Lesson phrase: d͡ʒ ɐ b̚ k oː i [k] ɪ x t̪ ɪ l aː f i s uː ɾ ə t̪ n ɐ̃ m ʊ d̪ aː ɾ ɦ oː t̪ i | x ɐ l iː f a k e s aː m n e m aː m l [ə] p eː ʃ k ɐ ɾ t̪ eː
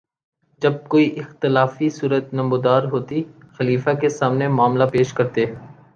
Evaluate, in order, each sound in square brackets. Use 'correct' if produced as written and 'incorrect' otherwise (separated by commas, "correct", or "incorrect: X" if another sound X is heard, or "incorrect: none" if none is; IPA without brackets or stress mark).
incorrect: ʔ, incorrect: a